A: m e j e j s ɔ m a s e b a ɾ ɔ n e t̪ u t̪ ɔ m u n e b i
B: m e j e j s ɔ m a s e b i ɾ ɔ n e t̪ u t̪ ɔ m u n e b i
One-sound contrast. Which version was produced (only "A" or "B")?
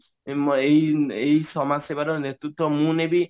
A